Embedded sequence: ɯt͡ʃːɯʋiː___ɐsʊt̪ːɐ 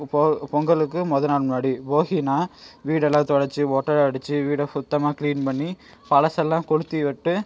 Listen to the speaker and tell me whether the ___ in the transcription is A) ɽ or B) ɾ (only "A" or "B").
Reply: A